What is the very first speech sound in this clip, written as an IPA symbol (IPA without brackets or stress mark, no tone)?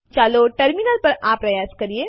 t͡ʃ